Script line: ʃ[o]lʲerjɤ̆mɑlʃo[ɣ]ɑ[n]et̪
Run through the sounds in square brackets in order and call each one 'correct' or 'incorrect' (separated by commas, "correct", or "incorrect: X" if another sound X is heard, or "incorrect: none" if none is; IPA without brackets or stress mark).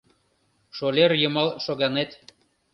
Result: correct, correct, correct